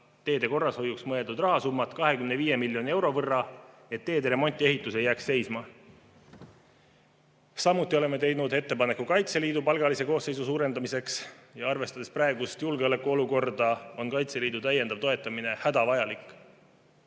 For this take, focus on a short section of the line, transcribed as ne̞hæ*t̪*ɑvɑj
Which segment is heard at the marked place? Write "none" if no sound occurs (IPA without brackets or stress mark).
d̪